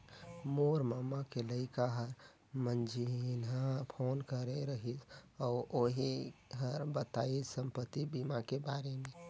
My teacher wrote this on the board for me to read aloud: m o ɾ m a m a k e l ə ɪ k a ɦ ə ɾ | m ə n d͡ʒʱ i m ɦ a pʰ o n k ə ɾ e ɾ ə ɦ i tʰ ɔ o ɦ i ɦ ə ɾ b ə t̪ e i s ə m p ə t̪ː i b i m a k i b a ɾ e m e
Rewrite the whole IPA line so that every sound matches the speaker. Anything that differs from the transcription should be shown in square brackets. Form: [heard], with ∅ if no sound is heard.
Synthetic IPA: m o ɾ m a m a k e l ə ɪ k a ɦ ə ɾ | m ə n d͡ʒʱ i [n] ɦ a pʰ o n k ə ɾ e ɾ ə ɦ i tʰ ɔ o ɦ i ɦ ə ɾ b ə t̪ [a] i s ə m p ə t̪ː i b i m a k [e] b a ɾ e m e